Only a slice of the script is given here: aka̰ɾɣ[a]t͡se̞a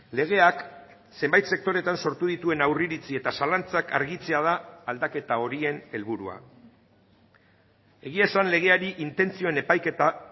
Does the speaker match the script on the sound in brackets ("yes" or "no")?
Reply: no